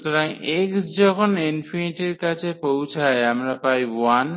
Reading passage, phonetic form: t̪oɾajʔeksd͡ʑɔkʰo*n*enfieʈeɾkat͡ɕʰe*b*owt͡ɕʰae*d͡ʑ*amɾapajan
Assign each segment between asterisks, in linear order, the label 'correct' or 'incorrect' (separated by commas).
correct, incorrect, incorrect